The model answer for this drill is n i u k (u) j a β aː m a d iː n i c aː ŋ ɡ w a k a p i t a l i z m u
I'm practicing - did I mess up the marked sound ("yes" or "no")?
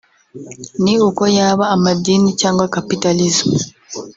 yes